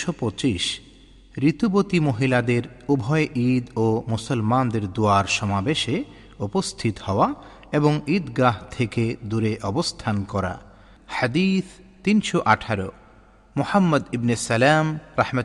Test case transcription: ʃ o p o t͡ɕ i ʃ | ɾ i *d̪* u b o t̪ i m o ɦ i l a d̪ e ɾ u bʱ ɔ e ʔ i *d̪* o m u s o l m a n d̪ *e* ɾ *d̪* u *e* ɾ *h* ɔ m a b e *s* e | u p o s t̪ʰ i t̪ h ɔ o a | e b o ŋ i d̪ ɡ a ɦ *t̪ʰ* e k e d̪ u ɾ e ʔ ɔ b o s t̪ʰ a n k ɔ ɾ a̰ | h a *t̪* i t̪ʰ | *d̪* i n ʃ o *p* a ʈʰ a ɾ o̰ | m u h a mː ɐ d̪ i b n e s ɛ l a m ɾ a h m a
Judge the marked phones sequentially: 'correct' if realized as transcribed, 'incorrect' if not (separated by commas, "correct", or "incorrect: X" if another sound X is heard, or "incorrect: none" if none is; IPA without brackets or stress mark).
incorrect: t̪, correct, correct, correct, incorrect: a, incorrect: ʃ, incorrect: ʃ, correct, incorrect: d̪, incorrect: t̪, incorrect: ʔ